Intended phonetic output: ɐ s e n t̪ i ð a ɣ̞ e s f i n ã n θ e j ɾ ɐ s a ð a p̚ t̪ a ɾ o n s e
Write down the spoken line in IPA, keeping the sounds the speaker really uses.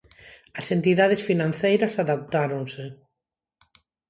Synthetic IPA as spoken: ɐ s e n t̪ i ð a ð̞ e s f i n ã n θ e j ɾ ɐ s a ð a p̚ t̪ a ɾ o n s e